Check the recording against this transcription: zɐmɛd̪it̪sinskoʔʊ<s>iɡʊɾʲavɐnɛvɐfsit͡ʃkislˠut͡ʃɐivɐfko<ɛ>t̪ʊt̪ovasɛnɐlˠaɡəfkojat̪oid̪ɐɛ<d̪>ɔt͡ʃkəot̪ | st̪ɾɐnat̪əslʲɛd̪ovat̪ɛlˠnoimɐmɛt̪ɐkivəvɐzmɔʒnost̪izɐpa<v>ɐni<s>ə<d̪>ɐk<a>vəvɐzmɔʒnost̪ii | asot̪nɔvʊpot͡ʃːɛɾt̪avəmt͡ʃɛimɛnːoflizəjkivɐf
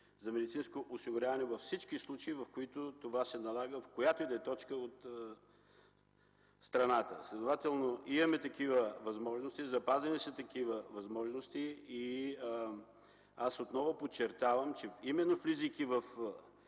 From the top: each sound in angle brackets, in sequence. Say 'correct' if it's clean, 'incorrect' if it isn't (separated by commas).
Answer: correct, incorrect, incorrect, incorrect, correct, incorrect, incorrect